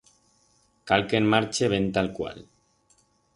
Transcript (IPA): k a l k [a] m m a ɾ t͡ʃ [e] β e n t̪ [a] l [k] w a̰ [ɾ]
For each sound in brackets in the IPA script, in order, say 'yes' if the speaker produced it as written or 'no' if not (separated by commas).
no, yes, yes, yes, no